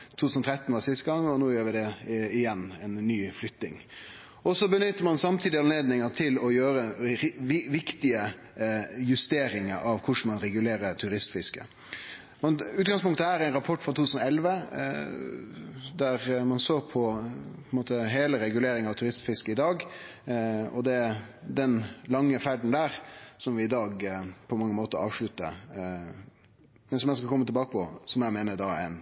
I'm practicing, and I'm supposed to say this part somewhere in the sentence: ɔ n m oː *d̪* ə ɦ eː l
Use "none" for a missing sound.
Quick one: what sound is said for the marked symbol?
t̪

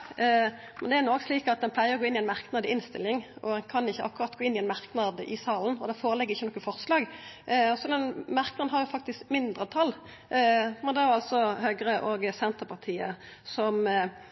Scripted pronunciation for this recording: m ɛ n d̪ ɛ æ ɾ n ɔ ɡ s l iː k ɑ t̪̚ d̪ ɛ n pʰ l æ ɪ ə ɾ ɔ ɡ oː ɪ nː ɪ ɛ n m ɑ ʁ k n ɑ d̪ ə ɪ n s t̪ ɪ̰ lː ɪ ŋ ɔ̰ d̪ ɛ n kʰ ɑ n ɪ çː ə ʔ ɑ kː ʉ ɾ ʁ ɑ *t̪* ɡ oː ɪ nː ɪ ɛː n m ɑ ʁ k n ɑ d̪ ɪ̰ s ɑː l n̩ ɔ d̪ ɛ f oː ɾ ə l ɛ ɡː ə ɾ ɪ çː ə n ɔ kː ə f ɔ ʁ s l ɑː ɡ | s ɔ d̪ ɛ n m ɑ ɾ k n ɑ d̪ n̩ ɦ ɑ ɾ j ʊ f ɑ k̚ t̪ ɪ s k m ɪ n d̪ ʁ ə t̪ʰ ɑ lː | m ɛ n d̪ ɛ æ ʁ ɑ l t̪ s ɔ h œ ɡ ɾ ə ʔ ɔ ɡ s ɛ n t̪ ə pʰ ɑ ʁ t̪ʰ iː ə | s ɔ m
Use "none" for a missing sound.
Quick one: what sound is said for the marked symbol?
t̪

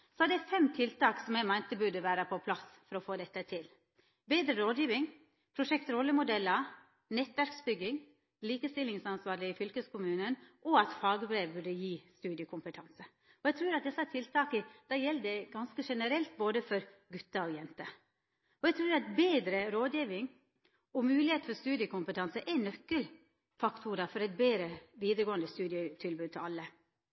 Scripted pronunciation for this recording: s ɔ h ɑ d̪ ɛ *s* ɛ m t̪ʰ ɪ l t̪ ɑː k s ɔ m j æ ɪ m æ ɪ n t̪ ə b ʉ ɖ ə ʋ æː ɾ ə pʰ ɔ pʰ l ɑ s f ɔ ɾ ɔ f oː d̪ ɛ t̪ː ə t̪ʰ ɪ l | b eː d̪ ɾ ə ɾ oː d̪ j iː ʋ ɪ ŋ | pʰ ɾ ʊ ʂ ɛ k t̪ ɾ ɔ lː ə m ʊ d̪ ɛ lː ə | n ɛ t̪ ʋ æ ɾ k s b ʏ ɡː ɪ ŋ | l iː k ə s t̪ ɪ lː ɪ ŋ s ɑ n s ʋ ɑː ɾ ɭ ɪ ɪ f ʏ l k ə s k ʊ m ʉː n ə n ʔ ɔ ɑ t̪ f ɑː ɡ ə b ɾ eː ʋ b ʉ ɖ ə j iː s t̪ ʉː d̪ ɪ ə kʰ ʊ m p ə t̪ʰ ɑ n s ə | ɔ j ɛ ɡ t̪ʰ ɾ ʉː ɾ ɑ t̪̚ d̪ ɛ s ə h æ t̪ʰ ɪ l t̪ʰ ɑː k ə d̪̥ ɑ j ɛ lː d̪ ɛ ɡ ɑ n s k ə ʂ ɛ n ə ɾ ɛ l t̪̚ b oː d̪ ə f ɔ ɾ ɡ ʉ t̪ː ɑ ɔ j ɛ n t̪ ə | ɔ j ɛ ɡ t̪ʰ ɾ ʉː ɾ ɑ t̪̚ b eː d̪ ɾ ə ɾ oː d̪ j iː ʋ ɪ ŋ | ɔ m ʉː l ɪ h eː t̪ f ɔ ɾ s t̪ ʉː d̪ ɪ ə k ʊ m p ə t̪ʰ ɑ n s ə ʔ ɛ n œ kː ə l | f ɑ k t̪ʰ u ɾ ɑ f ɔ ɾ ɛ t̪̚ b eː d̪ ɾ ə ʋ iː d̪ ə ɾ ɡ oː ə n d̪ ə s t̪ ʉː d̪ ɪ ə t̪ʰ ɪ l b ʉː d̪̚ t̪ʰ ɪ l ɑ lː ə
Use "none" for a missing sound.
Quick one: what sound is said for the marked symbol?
f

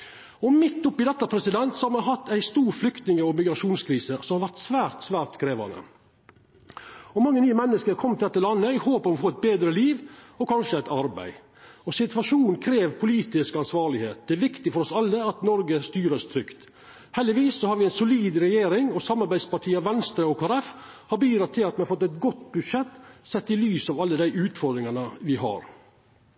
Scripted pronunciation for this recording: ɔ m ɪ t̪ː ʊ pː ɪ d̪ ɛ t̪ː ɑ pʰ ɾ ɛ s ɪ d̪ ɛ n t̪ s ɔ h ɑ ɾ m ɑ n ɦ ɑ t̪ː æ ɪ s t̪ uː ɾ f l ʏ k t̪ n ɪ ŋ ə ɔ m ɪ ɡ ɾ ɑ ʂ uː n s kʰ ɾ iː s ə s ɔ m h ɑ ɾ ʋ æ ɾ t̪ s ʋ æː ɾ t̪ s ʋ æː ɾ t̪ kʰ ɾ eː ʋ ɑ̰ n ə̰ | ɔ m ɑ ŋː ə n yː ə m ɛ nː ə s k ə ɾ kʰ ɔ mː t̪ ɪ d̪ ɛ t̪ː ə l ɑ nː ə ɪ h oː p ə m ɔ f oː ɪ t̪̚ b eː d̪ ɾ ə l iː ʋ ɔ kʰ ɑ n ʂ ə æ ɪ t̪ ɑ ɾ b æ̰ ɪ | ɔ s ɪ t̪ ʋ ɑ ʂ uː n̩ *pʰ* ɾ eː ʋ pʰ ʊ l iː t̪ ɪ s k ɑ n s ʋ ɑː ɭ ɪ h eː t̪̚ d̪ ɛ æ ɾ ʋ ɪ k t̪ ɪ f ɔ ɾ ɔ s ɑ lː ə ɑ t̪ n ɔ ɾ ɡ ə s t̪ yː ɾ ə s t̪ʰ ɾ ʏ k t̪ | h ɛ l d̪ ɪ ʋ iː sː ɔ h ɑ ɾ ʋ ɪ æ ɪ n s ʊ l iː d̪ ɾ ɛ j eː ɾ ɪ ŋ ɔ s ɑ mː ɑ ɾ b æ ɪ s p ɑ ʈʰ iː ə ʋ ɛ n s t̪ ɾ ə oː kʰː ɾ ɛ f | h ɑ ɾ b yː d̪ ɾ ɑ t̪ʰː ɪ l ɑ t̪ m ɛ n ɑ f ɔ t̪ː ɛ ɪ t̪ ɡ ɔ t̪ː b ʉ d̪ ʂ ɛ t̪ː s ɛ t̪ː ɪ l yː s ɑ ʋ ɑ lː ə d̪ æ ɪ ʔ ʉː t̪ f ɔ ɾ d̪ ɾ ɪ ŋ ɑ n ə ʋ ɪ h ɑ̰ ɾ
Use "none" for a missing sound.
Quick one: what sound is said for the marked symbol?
kʰ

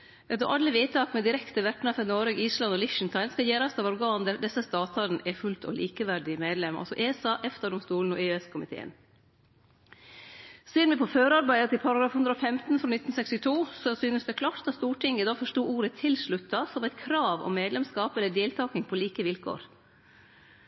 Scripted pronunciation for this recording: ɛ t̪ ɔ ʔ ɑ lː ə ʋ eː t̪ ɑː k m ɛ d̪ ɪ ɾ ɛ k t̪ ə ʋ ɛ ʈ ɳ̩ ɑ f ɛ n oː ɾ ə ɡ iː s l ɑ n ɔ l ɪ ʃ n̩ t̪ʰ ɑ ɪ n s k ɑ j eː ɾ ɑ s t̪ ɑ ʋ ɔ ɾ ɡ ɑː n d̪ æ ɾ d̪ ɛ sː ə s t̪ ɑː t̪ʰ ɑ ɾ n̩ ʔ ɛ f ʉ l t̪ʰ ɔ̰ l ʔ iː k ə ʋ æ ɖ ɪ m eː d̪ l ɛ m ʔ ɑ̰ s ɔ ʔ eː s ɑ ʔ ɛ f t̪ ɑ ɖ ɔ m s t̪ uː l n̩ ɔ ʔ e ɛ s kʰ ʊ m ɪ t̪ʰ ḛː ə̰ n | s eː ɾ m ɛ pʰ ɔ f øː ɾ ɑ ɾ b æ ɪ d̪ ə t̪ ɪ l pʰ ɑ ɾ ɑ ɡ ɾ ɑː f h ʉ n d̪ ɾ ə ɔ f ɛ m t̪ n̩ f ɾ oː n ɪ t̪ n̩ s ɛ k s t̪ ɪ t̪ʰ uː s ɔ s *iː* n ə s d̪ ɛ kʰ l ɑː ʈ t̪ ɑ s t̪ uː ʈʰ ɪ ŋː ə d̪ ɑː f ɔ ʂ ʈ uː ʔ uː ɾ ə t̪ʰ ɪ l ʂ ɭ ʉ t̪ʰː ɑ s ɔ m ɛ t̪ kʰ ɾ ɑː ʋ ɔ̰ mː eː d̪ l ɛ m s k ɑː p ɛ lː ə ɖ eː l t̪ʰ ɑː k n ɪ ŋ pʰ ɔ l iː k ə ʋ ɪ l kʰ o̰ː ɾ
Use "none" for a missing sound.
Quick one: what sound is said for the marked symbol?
yː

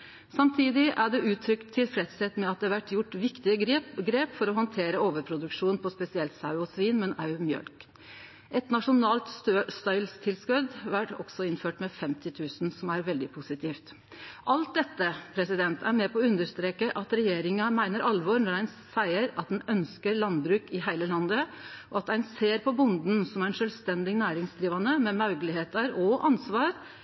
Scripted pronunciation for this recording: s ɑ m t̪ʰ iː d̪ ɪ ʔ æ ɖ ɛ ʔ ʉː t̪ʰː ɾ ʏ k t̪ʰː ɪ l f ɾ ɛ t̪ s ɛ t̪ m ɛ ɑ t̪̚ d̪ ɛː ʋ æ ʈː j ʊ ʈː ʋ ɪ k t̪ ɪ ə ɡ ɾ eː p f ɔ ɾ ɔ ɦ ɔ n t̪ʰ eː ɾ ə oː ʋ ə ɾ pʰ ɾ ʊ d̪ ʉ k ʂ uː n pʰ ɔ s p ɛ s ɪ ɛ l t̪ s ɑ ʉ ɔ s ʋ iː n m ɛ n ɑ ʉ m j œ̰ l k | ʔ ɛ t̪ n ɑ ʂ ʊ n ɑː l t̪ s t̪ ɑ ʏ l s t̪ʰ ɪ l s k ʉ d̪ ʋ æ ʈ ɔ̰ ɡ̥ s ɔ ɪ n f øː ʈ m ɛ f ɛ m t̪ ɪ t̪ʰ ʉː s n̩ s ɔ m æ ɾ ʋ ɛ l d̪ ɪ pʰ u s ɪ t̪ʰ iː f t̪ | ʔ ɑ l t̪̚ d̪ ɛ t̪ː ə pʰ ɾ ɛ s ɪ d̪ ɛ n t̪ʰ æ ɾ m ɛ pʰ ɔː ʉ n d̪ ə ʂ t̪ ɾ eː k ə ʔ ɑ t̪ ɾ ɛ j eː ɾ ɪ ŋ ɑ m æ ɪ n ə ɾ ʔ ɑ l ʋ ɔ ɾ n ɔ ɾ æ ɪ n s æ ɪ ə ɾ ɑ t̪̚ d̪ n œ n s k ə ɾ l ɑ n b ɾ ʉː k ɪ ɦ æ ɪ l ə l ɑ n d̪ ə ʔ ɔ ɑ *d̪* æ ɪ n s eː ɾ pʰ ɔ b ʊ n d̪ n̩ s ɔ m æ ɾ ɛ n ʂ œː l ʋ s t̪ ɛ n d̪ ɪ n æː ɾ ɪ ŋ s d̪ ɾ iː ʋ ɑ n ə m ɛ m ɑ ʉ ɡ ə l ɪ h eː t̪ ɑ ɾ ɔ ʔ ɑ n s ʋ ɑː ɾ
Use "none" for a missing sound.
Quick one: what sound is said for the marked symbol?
t̪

